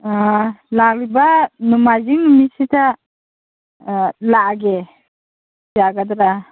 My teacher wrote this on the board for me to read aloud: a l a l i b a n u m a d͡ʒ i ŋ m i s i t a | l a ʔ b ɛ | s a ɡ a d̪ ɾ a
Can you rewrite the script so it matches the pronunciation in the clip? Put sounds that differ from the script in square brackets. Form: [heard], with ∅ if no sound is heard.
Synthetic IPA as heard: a l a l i b a n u m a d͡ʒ i ŋ m i s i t a | l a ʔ [ɡ] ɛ | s a ɡ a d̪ ɾ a